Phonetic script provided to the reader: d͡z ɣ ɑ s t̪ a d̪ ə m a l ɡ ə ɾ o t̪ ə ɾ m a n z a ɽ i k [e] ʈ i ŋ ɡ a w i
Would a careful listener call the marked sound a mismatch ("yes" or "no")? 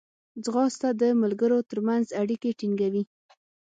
no